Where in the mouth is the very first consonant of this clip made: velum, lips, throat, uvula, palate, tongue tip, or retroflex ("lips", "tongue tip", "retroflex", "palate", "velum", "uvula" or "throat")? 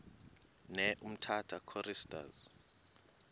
tongue tip